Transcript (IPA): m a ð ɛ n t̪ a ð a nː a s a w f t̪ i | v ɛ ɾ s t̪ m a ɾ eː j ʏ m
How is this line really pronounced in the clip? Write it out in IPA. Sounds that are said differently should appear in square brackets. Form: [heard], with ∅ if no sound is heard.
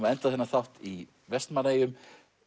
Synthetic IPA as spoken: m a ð ɛ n t̪ a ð [ɛ] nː a [θ] a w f t̪ i | v ɛ [∅] s t̪ m a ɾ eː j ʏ m